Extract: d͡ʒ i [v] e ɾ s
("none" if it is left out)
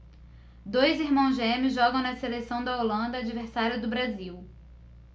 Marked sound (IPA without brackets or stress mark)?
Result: v